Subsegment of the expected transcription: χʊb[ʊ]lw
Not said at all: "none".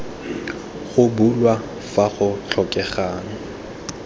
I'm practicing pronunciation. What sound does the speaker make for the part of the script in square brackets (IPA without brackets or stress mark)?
u